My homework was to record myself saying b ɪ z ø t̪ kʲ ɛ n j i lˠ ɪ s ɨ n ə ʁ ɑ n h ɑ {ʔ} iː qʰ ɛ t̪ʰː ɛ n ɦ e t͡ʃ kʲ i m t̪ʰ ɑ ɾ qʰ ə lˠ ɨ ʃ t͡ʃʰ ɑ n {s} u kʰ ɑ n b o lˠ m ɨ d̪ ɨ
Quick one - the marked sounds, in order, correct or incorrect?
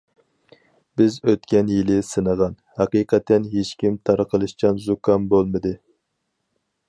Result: incorrect, incorrect

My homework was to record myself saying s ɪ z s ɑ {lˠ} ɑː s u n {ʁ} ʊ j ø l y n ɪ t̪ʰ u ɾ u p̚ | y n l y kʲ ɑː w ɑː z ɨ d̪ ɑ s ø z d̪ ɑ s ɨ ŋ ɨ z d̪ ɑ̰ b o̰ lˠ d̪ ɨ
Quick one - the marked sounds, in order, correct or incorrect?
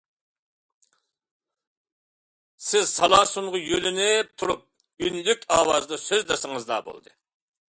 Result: correct, correct

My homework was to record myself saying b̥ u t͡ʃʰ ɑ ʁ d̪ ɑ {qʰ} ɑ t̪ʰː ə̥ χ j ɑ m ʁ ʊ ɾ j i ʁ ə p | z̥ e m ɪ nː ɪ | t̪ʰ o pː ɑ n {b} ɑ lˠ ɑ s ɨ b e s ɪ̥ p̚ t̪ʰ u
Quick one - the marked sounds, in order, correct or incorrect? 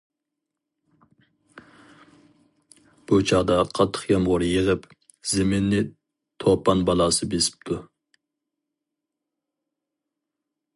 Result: correct, correct

